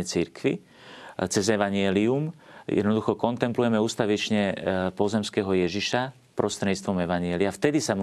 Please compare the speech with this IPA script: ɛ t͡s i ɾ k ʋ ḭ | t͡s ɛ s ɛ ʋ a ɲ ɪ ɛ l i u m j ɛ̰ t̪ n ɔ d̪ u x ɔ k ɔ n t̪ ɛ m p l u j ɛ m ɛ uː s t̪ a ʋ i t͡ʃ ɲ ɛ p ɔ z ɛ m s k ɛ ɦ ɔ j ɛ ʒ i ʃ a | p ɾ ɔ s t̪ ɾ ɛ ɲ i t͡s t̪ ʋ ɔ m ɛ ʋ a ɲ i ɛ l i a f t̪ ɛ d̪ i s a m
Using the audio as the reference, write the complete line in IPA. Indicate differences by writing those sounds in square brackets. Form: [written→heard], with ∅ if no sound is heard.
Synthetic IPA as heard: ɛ t͡s i ɾ k ʋ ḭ | t͡s ɛ [s→z] ɛ ʋ a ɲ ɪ ɛ l i u m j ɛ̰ [t̪→d̪] n ɔ d̪ u x ɔ k ɔ n t̪ ɛ m p l u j ɛ m ɛ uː s t̪ a ʋ i t͡ʃ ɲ ɛ p ɔ z ɛ m s k ɛ ɦ ɔ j ɛ ʒ i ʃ a | p ɾ ɔ s t̪ ɾ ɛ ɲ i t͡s t̪ ʋ ɔ m ɛ ʋ a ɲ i ɛ l i a f t̪ ɛ d̪ i s a m